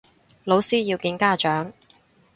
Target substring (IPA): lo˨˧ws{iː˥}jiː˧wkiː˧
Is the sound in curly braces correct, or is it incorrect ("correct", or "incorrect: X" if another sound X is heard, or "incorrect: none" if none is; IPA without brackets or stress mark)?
correct